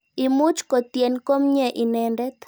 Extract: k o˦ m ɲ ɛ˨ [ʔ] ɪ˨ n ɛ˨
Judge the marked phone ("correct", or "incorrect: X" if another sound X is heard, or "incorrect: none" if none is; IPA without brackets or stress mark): correct